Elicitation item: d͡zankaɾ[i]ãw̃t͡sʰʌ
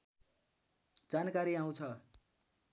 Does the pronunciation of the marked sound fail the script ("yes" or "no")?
no